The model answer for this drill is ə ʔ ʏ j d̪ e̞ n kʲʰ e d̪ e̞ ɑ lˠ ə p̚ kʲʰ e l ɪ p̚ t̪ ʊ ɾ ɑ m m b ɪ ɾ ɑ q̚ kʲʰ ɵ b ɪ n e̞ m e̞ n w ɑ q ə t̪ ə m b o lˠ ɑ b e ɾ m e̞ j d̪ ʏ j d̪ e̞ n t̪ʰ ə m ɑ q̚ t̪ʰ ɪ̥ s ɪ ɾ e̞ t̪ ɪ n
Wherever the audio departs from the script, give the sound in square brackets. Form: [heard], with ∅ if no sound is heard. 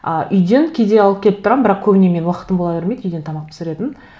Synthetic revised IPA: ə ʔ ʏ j d̪ e̞ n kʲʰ e d̪ e̞ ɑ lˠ ə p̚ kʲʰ e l ɪ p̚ t̪ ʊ ɾ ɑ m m b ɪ ɾ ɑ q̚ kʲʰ ɵ b ɪ n e̞ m e̞ n w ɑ q ə t̪ ə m b o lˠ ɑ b e ɾ m e̞ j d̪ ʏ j d̪ e̞ n t̪ʰ [ɑ] m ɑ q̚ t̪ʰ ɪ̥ s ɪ ɾ e̞ t̪ ɪ n